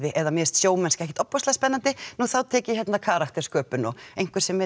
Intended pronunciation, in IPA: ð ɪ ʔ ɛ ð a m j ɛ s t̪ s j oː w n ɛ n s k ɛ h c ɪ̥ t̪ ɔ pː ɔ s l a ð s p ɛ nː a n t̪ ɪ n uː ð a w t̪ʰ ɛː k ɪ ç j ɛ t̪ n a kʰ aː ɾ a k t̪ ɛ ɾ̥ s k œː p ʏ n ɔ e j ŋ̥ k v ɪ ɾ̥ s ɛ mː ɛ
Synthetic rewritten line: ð ɪ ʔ ɛ ð a m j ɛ s t̪ s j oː w m ɛ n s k ɛ h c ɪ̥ t̪ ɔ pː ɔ s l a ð s p ɛ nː a n t̪ ɪ n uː θ a w t̪ʰ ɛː c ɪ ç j ɛ t̪ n a kʰ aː ɾ a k t̪ ɛ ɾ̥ s k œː p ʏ n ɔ e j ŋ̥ k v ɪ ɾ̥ s ɛ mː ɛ